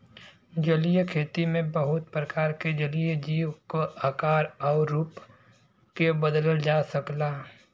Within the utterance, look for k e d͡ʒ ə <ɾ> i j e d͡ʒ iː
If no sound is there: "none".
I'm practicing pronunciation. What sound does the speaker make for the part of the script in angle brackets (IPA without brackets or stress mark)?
l